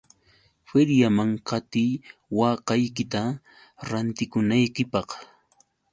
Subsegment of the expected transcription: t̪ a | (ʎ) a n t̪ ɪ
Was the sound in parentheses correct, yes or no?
no